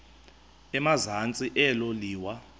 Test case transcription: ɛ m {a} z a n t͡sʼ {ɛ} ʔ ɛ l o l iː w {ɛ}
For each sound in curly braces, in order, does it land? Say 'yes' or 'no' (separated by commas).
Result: yes, no, no